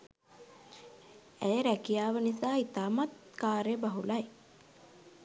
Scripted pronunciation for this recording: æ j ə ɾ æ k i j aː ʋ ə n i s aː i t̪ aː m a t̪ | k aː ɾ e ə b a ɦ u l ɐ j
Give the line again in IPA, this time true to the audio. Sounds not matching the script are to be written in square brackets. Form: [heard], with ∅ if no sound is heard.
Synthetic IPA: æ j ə ɾ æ k i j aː ʋ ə n i s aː i t̪ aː m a t̪ | k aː ɾ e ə b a ɦ u l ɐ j